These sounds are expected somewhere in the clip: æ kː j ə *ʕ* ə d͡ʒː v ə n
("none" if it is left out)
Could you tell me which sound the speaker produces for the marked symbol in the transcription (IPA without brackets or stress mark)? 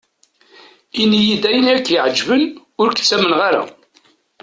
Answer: ʕ